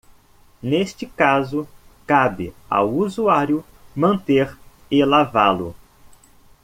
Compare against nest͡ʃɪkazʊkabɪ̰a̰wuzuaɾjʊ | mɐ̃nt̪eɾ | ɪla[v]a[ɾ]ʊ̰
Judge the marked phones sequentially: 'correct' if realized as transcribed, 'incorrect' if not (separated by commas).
correct, incorrect